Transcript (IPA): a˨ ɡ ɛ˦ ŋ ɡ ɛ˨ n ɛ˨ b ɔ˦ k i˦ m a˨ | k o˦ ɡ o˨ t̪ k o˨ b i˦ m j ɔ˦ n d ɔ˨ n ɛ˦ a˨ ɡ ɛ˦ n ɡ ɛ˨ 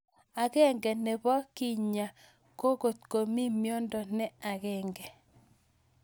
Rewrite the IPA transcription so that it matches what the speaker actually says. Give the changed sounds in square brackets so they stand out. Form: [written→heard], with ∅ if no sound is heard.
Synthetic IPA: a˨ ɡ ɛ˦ ŋ ɡ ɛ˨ n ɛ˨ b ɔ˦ k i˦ [m→ɲ] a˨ | k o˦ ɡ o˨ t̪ k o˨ [b→m] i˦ m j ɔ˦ n d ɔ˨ n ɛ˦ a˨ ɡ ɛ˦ [n→ŋ] ɡ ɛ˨